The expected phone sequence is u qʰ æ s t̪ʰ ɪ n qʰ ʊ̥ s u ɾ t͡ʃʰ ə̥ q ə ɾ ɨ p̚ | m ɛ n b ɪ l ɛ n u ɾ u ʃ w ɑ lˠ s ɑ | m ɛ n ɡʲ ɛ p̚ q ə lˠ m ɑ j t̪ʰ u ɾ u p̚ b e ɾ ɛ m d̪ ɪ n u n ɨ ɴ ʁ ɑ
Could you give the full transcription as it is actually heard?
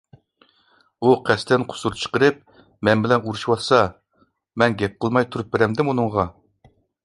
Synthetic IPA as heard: u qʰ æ s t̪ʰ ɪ n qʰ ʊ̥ s u ɾ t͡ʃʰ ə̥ q ə ɾ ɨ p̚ | m ɛ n b ɪ l ɛ n u ɾ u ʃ w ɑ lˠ s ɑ | m ɛ n ɡʲ ɛ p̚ q ə lˠ m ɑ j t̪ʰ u ɾ u p̚ b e ɾ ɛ m d̪ ɪ m u n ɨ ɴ ʁ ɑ